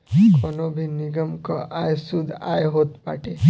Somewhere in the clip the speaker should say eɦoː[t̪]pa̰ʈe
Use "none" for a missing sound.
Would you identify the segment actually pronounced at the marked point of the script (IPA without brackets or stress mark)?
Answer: t̪